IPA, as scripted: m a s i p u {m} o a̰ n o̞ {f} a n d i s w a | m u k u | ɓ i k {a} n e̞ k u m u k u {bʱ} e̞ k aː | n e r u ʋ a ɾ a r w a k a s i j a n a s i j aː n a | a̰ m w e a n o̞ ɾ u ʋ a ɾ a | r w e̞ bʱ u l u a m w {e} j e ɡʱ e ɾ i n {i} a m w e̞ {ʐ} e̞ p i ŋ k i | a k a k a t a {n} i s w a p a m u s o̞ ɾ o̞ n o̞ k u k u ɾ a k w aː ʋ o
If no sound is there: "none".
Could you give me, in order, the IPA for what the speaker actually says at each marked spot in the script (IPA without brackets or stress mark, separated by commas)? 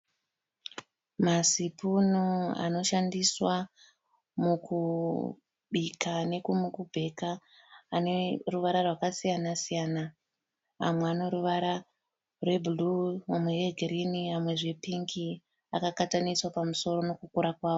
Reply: n, ʃ, a, bʱ, e, i, ʐ, n